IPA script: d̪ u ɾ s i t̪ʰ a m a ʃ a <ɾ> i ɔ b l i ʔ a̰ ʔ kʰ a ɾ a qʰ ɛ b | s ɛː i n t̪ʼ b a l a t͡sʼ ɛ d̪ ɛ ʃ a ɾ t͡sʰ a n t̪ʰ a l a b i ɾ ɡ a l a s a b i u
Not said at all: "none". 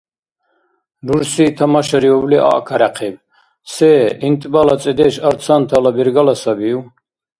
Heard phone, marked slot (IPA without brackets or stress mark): ɾ